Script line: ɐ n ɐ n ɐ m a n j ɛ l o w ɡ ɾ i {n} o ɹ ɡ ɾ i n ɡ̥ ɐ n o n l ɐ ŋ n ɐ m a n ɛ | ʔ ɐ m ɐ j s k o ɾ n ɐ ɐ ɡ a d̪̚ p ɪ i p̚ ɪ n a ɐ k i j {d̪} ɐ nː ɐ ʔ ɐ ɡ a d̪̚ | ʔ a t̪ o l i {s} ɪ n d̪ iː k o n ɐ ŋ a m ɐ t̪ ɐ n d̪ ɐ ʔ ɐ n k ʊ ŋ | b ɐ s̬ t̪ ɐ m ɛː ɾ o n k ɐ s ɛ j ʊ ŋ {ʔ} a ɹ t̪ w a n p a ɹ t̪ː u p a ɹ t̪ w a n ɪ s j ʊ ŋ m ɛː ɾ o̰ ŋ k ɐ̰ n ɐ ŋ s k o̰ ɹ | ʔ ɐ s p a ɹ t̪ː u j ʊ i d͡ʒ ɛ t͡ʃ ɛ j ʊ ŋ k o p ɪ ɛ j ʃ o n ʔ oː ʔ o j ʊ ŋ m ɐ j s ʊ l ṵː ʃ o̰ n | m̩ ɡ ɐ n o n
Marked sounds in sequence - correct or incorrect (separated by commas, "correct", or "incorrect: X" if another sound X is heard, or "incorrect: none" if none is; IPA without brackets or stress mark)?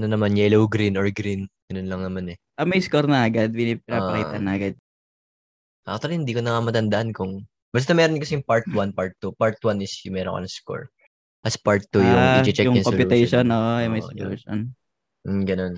correct, incorrect: t̪, incorrect: h, incorrect: p